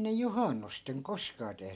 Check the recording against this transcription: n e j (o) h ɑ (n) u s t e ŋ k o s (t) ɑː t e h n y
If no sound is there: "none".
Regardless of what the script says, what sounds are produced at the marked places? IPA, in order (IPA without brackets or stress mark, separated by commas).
u, nː, k